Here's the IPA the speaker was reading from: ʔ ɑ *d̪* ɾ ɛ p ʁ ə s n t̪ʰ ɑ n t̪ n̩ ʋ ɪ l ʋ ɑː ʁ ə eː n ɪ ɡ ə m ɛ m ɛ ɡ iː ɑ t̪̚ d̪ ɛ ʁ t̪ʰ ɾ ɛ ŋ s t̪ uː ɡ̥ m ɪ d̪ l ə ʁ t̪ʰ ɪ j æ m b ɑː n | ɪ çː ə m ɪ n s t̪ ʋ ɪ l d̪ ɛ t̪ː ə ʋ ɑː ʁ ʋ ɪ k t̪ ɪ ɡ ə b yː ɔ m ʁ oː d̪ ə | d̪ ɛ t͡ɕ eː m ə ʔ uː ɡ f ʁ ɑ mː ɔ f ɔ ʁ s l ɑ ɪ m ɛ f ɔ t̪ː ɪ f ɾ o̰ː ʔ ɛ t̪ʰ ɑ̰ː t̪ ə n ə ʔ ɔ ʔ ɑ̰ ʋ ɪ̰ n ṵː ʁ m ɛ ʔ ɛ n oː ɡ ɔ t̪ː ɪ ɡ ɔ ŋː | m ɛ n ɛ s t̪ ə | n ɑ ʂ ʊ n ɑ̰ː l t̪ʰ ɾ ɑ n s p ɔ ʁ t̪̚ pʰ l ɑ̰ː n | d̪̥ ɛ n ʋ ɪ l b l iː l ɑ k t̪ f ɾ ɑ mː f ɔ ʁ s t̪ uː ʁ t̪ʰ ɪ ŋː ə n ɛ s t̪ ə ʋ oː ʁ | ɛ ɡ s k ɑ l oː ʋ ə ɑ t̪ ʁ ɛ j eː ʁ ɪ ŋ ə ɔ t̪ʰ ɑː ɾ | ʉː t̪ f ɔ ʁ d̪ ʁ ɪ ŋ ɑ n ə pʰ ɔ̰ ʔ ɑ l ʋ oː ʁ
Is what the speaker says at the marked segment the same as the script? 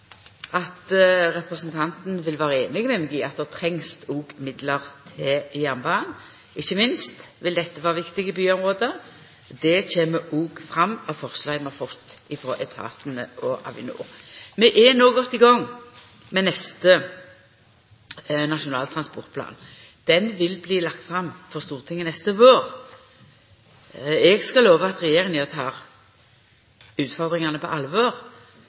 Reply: no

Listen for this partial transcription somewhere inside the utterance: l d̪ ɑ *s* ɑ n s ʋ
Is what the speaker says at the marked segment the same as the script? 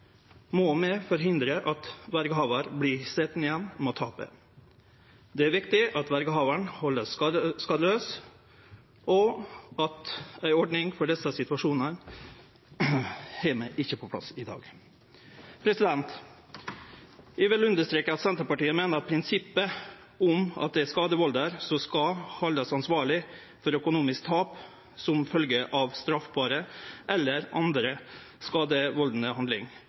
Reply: yes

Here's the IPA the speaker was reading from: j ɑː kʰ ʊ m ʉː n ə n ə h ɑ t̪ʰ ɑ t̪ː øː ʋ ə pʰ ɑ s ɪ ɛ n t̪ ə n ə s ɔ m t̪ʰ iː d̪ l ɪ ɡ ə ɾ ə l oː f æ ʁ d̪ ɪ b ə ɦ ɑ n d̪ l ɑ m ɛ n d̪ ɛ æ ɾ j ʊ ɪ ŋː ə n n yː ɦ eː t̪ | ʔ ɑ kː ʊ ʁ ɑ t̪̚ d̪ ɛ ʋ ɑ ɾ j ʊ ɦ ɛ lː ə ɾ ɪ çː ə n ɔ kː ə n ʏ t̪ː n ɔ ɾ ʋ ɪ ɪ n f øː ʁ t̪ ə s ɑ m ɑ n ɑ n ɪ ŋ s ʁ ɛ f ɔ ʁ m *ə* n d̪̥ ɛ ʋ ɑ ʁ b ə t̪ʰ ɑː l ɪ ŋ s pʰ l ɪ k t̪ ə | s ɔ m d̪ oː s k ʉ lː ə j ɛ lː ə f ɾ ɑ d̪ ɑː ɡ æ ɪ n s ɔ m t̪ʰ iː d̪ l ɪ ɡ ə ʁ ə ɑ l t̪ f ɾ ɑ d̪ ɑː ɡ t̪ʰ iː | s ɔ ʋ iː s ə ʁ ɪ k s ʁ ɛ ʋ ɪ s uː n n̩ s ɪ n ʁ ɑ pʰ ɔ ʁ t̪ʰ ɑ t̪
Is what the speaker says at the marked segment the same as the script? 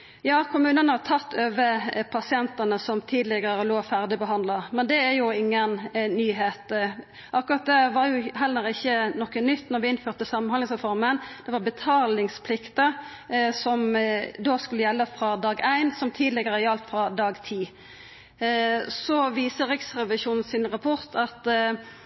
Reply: yes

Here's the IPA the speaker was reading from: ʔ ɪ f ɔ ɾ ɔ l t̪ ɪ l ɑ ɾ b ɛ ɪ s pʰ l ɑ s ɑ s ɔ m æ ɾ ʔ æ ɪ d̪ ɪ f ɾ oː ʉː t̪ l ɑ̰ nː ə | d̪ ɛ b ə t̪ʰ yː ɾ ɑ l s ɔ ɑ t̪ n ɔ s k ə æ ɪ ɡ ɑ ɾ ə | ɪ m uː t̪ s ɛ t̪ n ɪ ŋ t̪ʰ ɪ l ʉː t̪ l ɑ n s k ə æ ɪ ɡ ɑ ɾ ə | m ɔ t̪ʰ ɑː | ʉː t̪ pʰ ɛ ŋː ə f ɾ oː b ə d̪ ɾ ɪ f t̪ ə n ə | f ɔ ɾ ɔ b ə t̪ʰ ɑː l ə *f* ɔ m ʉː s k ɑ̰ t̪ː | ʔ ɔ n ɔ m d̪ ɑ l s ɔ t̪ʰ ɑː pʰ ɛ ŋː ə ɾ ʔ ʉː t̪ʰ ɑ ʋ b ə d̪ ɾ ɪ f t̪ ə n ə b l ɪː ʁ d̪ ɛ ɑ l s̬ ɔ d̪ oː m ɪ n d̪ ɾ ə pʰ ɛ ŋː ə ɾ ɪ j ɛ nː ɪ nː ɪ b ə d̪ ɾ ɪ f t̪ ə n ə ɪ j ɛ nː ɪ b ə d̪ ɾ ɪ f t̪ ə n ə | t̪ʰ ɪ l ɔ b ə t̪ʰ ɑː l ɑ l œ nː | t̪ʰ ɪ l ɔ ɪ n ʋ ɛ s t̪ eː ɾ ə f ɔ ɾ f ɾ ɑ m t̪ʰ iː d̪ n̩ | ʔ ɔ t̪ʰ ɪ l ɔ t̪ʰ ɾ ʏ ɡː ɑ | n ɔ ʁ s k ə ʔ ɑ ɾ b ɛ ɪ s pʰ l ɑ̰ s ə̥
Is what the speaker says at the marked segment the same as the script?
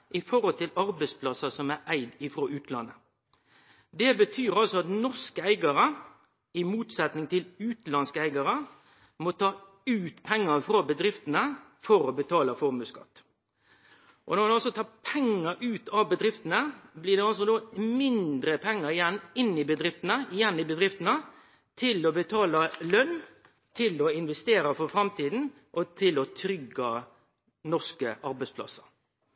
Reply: yes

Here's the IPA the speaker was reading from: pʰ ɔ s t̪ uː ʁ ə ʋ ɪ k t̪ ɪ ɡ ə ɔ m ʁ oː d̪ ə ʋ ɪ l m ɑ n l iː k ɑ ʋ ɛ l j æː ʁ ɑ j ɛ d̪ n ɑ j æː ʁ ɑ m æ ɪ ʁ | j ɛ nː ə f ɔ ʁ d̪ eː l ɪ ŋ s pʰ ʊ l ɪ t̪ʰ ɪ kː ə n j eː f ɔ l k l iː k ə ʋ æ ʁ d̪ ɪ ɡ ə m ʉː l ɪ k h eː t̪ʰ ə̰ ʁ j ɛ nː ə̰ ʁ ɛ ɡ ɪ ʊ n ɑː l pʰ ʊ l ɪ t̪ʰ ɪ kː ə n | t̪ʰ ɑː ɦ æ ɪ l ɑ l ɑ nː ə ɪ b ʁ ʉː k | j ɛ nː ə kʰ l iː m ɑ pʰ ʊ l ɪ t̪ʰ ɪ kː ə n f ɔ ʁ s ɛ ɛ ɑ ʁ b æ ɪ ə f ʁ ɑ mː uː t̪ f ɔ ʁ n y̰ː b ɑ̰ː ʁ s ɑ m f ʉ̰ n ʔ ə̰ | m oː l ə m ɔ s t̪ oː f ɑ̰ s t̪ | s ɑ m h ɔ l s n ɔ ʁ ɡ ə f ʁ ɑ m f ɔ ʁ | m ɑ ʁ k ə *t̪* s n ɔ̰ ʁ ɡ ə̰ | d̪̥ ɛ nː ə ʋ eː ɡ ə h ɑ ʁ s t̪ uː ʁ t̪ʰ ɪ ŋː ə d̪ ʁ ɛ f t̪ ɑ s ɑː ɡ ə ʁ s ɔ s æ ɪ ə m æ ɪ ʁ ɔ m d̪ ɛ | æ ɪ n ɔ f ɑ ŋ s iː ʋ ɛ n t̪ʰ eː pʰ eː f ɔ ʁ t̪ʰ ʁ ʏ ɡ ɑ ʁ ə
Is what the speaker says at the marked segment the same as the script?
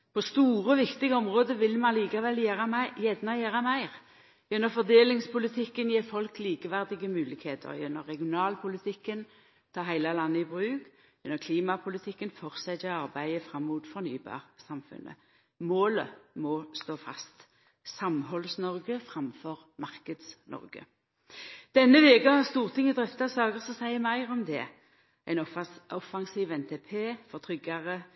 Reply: no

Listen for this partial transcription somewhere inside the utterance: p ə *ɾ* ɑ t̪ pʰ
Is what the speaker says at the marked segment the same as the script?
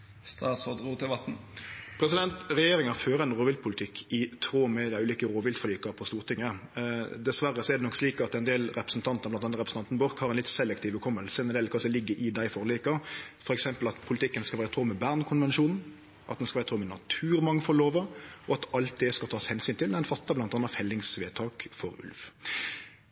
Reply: no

